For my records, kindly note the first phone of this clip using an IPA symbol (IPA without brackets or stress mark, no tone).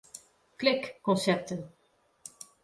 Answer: k